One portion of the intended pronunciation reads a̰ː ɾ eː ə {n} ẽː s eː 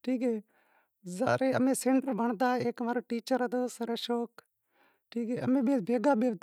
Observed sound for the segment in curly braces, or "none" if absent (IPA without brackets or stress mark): m